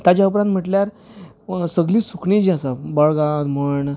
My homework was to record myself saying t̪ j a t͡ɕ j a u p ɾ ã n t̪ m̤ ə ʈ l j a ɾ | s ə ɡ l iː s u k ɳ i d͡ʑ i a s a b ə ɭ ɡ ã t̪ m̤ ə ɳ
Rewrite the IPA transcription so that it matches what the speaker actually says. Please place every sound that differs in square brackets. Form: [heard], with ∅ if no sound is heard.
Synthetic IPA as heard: t̪ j a t͡ɕ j a u p ɾ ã n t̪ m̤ ə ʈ l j a ɾ | s ə ɡ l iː s u k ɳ i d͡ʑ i a s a b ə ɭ ɡ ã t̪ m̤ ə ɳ